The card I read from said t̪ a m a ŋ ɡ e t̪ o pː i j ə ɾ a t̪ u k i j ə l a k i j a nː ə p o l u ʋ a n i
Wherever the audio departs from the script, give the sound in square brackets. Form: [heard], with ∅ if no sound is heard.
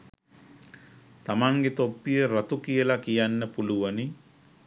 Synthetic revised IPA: t̪ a m a ŋ ɡ e t̪ o pː i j ə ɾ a t̪ u k i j ə l a k i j a nː ə p [u] l u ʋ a n i